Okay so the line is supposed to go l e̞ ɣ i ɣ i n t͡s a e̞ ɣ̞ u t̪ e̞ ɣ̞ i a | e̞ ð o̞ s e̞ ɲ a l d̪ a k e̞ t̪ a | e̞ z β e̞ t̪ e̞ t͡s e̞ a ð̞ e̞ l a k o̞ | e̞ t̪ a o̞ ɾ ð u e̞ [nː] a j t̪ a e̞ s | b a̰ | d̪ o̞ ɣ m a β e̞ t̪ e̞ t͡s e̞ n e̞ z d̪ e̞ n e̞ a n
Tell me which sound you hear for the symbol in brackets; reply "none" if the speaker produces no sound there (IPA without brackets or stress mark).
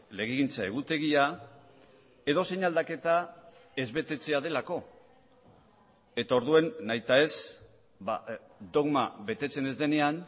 nː